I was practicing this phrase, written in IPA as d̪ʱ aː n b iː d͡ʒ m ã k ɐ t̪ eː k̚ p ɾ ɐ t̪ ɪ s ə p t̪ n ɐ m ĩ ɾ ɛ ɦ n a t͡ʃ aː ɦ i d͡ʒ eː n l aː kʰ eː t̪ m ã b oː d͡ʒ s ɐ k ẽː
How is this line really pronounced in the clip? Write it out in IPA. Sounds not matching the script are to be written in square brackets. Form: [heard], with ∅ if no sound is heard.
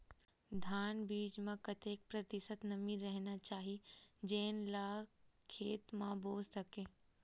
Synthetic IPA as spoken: d̪ʱ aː n b iː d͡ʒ m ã k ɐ t̪ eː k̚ p ɾ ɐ t̪ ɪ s ə [∅] t̪ n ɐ m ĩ ɾ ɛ ɦ n a t͡ʃ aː ɦ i d͡ʒ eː n l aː kʰ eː t̪ m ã b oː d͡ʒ s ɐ k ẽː

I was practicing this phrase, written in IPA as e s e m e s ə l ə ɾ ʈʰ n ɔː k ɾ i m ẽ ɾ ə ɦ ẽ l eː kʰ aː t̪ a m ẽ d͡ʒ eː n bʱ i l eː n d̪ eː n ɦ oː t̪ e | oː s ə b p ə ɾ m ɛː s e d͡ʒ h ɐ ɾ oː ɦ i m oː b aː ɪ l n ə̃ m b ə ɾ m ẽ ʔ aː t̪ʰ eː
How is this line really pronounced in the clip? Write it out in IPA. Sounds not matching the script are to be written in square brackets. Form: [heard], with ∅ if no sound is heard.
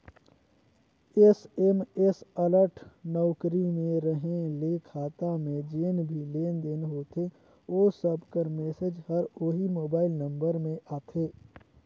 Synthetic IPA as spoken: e s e m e s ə l ə ɾ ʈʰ n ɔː k ɾ i m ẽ ɾ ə ɦ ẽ l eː kʰ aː t̪ a m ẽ d͡ʒ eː n bʱ i l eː n d̪ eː n ɦ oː t̪ e | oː s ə b [k] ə ɾ m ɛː s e d͡ʒ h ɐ ɾ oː ɦ i m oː b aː ɪ l n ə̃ m b ə ɾ m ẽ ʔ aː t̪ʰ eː

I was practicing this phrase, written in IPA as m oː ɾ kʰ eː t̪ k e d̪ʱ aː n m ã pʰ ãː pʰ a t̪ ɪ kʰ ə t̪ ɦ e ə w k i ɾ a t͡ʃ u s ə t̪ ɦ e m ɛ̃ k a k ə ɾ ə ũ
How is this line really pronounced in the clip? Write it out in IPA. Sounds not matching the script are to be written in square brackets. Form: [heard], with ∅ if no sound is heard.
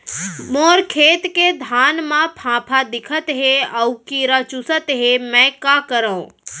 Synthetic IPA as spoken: m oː ɾ kʰ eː t̪ k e d̪ʱ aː n m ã pʰ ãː pʰ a [d̪] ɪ kʰ ə t̪ ɦ e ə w k i ɾ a t͡ʃ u s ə t̪ ɦ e m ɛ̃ k a k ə ɾ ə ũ

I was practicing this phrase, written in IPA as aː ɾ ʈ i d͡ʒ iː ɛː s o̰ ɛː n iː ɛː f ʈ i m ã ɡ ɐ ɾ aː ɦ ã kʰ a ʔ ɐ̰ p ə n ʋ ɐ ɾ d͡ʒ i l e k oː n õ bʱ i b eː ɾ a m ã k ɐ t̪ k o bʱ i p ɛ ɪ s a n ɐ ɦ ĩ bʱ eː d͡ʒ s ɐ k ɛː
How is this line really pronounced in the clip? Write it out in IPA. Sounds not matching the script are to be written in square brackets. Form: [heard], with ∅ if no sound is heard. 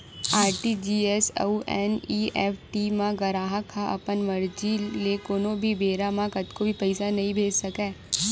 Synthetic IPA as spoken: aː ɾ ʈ i d͡ʒ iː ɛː s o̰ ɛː n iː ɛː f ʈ i m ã ɡ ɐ ɾ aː ɦ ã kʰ a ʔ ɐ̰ p ə n ʋ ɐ ɾ d͡ʒ i l e k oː n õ bʱ i b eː ɾ a m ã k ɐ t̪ k o bʱ i p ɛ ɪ s a n ɐ ɦ ĩ bʱ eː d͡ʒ s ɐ k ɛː

